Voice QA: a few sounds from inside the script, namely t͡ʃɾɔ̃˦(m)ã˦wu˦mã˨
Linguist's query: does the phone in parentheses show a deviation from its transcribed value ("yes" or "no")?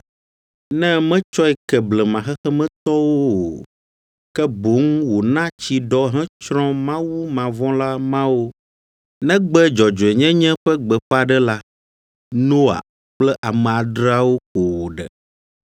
no